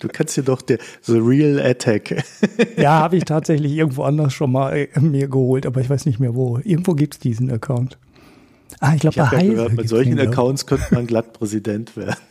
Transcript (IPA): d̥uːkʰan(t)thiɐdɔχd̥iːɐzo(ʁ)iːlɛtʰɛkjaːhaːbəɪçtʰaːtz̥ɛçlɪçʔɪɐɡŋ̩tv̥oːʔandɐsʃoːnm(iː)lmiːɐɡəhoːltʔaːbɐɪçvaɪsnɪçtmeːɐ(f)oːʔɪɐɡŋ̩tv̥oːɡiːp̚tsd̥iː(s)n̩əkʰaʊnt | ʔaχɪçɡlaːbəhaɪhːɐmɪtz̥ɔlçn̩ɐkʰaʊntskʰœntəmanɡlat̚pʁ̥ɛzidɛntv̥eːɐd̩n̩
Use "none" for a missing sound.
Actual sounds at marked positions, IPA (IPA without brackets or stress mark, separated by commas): s, ʁ, aː, v, z